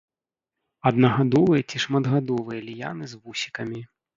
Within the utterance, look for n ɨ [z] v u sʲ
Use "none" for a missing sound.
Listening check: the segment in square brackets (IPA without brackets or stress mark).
z